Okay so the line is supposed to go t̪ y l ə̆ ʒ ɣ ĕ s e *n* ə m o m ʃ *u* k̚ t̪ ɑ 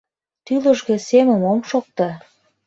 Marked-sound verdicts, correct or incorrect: incorrect: m, incorrect: o

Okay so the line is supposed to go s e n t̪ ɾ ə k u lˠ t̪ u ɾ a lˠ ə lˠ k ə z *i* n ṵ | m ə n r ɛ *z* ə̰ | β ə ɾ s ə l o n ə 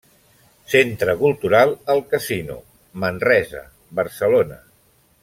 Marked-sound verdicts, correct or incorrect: correct, correct

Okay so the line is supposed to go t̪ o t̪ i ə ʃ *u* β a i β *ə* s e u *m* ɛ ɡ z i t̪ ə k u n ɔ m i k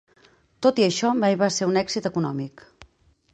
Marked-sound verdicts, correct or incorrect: incorrect: ɔ, incorrect: a, incorrect: n

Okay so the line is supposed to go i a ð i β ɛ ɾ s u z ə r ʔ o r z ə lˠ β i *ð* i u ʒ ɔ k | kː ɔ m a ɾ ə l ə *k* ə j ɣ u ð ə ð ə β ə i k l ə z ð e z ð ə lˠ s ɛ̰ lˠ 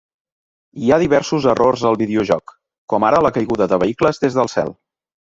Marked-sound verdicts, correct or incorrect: correct, correct

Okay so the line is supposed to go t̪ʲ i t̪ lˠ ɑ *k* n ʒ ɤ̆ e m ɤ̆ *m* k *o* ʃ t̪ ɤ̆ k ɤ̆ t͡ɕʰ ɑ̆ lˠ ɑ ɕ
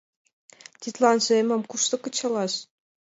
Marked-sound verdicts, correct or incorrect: incorrect: none, correct, incorrect: u

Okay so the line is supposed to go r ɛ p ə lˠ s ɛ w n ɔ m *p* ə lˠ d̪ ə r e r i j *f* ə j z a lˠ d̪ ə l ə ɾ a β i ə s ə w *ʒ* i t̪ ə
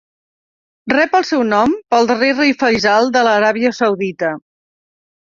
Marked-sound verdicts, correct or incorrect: correct, correct, incorrect: ð

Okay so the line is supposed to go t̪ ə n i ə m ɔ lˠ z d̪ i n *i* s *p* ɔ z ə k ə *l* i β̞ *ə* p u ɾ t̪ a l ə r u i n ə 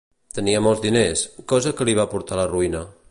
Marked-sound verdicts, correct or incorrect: incorrect: e, incorrect: k, correct, incorrect: a

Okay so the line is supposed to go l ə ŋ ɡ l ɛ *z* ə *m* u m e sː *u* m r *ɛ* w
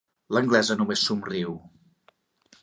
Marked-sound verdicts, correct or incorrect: correct, incorrect: n, correct, incorrect: i

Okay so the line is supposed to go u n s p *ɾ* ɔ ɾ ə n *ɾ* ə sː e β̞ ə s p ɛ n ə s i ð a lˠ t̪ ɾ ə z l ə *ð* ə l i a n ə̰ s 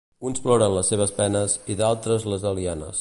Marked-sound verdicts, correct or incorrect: incorrect: l, incorrect: l, incorrect: z

